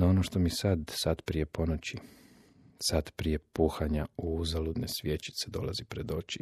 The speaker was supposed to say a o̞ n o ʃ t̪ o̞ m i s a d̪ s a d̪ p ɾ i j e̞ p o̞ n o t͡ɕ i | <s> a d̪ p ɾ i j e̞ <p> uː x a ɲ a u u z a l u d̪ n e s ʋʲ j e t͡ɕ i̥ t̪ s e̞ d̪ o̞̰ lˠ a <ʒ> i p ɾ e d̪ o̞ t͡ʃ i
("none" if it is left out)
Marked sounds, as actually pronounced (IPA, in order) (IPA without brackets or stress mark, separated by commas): s, p, z